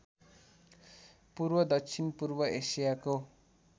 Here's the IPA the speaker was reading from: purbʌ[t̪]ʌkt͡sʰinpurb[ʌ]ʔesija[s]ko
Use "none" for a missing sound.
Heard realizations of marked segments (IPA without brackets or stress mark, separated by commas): d̪, ʌ, none